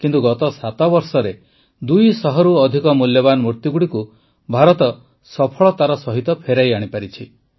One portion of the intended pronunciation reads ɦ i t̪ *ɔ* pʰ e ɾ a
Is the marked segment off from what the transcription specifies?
no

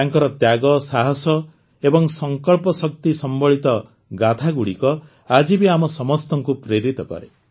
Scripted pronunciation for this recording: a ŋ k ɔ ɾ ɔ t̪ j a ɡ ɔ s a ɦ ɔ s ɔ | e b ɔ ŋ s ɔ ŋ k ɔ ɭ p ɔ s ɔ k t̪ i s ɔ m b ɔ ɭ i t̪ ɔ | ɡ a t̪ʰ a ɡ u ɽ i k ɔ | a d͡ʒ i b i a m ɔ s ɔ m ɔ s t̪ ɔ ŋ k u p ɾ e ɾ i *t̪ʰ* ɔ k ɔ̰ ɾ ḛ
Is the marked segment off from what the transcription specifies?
yes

